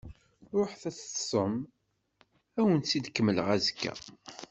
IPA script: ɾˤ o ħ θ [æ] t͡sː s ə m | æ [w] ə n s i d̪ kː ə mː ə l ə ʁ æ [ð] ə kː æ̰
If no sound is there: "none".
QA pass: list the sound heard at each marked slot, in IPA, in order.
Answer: æ, w, z

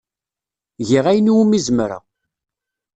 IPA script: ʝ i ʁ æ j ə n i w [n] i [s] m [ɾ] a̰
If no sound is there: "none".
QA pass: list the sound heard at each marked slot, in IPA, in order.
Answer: m, z, ɾ

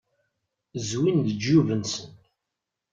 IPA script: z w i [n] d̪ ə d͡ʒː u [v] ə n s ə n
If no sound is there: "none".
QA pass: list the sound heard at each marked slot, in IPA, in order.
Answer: n, v

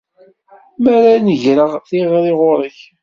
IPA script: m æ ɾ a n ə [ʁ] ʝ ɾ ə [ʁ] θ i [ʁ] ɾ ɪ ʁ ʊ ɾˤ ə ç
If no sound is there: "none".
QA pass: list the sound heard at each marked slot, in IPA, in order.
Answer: none, ʁ, ʁ

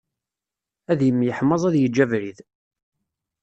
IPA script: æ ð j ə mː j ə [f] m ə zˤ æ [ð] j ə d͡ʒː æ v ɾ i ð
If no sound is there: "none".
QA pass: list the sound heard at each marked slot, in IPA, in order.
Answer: ħ, ð

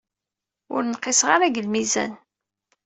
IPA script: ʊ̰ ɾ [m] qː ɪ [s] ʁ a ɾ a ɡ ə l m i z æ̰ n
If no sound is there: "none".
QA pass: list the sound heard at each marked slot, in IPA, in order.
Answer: n, s

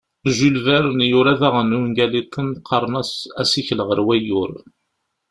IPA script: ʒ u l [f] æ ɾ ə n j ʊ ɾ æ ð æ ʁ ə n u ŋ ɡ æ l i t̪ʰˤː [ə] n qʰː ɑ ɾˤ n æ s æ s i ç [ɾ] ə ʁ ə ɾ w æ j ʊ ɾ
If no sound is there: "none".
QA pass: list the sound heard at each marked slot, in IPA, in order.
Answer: v, ə, l

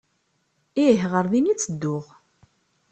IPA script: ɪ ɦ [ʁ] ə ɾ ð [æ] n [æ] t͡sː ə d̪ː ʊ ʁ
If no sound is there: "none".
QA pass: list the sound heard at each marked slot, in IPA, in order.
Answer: ʁ, i, i

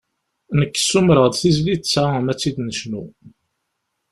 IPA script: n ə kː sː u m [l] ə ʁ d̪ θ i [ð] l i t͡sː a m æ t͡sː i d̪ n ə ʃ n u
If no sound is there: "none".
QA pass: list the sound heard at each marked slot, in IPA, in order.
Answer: ɾ, z

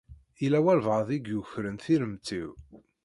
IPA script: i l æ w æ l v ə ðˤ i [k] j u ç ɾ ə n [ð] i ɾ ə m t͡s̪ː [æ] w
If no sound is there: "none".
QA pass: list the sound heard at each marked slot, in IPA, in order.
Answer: ɡ, θ, i

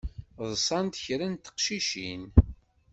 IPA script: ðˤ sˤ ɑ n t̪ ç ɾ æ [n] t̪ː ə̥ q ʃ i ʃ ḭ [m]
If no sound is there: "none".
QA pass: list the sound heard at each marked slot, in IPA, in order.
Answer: n, n

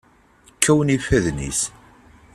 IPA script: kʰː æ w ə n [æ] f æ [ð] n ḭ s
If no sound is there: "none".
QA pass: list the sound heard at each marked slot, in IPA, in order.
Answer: i, ð

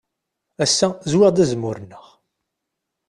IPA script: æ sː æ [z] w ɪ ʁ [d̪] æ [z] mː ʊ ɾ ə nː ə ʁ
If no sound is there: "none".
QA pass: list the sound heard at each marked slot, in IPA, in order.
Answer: z, d̪, z

